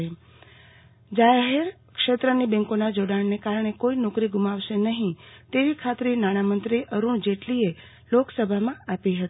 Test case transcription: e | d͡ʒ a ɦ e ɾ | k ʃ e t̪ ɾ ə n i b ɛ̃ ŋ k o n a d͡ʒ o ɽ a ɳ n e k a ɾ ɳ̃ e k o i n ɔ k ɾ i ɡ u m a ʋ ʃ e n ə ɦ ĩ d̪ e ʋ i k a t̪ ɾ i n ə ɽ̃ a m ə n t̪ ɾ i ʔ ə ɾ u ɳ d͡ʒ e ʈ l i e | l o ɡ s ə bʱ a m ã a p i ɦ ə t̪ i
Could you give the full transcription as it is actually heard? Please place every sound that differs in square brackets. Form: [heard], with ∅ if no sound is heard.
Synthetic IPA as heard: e | d͡ʒ a ɦ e ɾ | k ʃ e t̪ ɾ ə n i b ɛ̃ ŋ k o n a d͡ʒ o ɽ a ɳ n e k a ɾ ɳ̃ e k o i n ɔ k ɾ i ɡ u m a ʋ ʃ e n ə ɦ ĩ [t̪] e ʋ i [kʰ] a t̪ ɾ i n [a] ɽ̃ a m ə n t̪ ɾ i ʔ ə ɾ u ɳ d͡ʒ e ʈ l i e | l o [k] s ə bʱ a m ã a p i ɦ ə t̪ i